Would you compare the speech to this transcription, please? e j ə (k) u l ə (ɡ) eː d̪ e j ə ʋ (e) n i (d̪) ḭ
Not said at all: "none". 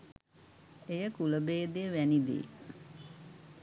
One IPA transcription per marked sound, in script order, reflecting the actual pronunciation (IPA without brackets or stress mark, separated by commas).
k, b, æ, d̪